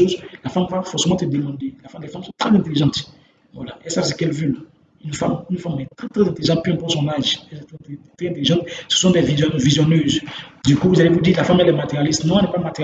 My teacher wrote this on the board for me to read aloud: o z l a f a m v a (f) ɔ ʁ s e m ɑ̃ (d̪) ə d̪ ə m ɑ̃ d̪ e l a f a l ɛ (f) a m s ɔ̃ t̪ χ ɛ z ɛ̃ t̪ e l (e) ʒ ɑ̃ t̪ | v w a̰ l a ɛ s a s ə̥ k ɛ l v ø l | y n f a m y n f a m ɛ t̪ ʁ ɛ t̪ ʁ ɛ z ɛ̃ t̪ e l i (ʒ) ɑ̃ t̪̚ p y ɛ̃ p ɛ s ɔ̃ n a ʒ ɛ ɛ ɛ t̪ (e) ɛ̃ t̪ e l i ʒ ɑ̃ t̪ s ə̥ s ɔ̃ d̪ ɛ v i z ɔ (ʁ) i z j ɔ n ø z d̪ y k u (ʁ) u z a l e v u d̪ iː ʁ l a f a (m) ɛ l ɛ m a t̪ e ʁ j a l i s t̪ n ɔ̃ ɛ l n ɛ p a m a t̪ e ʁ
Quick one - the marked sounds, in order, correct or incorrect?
correct, incorrect, correct, incorrect, correct, incorrect, incorrect, incorrect, correct

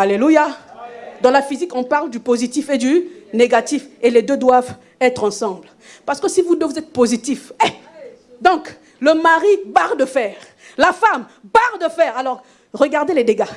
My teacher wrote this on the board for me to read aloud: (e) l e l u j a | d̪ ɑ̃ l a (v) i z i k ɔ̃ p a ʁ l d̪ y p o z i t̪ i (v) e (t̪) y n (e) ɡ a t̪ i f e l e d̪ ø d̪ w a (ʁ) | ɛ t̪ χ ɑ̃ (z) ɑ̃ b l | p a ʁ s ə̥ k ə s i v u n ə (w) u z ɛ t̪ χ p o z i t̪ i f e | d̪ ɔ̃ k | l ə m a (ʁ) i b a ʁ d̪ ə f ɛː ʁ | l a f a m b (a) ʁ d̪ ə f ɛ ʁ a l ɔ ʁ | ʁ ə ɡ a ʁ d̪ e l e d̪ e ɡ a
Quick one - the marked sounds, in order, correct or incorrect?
incorrect, incorrect, incorrect, incorrect, correct, incorrect, incorrect, incorrect, correct, correct

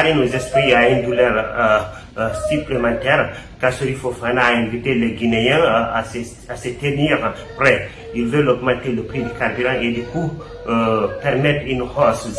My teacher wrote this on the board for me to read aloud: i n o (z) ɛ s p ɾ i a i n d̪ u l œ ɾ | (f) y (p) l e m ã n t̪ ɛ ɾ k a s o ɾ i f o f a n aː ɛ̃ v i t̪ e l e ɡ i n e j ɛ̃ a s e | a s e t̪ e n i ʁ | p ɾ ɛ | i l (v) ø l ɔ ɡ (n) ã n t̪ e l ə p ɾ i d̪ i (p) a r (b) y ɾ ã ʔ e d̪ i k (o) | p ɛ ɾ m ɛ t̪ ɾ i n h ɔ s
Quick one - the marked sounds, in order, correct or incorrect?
correct, incorrect, correct, correct, incorrect, incorrect, correct, incorrect

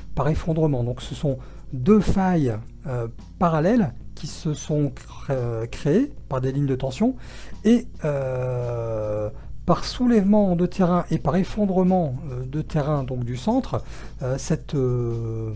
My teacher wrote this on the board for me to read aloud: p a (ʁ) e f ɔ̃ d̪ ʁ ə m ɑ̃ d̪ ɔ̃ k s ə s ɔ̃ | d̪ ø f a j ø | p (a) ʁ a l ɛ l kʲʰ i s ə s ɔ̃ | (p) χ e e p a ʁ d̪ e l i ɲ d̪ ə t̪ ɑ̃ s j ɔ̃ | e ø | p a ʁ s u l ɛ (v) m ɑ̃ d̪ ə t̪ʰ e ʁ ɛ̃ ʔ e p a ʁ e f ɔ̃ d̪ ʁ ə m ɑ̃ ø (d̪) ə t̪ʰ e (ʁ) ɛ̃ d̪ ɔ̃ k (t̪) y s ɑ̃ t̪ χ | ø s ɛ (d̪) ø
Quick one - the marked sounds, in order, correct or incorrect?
correct, correct, incorrect, correct, correct, correct, incorrect, incorrect

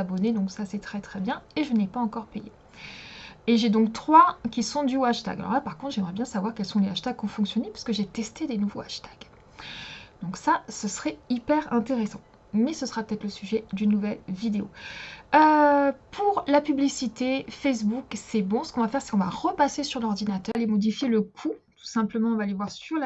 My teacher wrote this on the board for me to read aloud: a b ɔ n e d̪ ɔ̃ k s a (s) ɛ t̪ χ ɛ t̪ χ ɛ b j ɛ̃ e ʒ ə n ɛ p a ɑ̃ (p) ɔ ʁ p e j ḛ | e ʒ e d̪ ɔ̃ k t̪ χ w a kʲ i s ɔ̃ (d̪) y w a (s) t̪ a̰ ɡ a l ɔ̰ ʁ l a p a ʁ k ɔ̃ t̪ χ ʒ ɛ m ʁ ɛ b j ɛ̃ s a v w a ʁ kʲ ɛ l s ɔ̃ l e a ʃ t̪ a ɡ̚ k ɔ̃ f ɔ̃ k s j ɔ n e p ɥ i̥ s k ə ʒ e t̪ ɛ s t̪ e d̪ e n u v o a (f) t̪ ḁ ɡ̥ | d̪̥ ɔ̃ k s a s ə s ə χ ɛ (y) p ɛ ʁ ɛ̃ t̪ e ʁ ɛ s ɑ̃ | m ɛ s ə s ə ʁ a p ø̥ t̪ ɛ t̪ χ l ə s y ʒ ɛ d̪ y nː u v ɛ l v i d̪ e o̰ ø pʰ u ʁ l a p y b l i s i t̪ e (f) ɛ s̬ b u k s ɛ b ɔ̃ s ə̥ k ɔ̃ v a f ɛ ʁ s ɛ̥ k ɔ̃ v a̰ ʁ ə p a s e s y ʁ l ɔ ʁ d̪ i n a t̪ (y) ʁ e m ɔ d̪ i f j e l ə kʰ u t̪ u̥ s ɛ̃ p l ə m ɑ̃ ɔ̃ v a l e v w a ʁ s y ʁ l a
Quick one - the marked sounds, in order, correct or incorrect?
correct, incorrect, correct, incorrect, incorrect, incorrect, correct, incorrect

